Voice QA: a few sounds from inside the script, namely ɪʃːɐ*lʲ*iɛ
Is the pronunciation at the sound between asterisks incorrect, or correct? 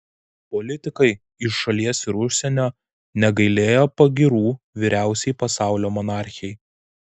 correct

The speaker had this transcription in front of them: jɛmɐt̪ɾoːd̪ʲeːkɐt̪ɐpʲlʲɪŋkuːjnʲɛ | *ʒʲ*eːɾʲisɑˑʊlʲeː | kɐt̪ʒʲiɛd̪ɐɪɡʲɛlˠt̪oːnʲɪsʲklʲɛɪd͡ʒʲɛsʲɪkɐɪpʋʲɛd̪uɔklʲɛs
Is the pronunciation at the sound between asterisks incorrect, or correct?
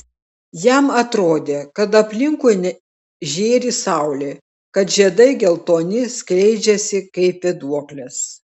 correct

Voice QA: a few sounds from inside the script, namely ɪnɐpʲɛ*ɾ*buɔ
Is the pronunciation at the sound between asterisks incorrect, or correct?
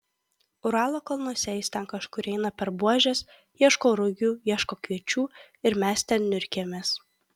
correct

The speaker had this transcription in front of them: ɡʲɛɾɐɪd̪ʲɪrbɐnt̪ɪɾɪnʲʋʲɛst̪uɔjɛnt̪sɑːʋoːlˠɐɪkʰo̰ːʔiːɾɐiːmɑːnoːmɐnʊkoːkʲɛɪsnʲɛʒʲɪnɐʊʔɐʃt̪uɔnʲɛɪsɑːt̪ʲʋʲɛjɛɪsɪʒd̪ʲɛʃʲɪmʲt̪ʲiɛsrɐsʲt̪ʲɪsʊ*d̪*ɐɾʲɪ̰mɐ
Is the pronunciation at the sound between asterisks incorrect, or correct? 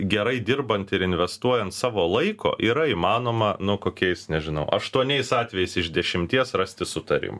incorrect: t̪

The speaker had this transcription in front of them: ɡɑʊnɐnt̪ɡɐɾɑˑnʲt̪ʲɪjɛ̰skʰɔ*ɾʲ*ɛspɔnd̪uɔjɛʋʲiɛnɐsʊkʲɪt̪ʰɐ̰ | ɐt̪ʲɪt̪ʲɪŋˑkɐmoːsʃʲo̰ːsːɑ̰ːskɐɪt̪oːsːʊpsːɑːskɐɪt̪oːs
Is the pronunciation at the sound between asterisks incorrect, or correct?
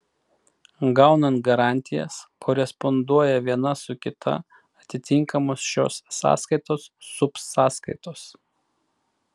correct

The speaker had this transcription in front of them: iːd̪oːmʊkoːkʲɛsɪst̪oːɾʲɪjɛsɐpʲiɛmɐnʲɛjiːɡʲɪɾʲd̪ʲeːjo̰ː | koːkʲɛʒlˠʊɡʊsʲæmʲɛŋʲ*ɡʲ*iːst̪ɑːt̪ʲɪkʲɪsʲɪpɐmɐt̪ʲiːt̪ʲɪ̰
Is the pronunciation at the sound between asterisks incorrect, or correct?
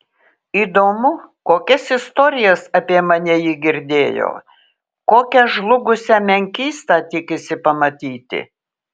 incorrect: kʲ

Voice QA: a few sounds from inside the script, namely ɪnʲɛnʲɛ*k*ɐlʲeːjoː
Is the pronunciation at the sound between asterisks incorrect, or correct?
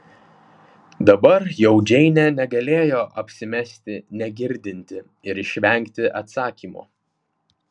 incorrect: ɡ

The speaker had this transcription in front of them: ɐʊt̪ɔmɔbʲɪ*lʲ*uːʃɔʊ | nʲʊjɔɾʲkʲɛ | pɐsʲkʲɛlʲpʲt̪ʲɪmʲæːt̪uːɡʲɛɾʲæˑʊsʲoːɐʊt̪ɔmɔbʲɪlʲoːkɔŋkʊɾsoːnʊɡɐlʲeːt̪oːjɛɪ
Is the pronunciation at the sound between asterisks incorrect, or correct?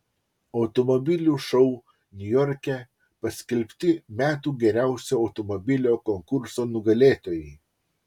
correct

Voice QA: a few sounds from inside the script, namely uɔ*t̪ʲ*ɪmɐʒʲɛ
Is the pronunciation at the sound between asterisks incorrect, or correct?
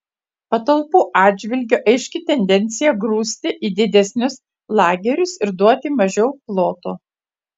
correct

